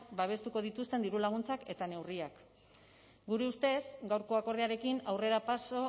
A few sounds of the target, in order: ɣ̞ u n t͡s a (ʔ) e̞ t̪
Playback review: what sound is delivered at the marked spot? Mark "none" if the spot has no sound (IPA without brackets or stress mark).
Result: k